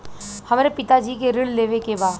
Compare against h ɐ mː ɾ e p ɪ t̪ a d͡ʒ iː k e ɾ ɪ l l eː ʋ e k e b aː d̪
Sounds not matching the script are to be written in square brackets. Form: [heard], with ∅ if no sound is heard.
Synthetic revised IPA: h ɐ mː ɾ e p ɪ t̪ a d͡ʒ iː k e ɾ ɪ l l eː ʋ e k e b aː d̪